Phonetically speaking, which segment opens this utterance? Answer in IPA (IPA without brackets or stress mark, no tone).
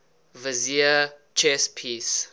v